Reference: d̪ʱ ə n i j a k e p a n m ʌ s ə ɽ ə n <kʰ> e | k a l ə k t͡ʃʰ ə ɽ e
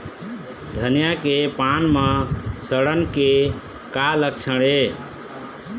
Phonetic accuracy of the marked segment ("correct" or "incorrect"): incorrect